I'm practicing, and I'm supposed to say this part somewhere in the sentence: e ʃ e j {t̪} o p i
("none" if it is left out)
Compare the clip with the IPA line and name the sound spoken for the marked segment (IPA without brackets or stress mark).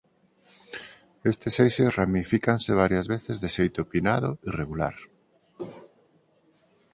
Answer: t̪